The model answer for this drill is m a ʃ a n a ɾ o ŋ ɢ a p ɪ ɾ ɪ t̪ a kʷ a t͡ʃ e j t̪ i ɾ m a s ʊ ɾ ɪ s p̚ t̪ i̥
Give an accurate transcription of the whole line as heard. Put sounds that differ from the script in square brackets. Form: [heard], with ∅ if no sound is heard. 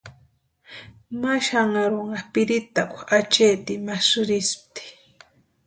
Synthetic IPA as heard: m a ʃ a [ŋ] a ɾ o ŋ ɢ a p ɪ ɾ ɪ t̪ a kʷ a t͡ʃ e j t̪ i [∅] m a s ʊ ɾ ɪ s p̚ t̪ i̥